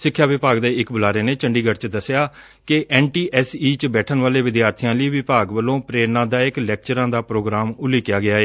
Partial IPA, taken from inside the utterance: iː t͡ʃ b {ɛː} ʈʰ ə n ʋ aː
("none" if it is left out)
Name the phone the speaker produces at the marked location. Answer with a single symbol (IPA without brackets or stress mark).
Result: ɛː